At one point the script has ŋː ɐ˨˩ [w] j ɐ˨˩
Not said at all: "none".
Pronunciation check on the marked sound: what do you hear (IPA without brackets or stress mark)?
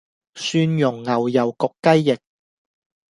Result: w